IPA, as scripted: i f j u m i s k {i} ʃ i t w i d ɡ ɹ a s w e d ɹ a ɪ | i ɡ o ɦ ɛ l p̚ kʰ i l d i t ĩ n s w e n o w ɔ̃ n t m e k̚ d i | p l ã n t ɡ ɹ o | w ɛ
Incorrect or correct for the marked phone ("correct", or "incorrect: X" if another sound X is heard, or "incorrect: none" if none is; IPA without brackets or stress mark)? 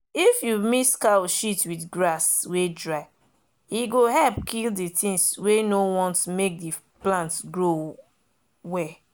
incorrect: a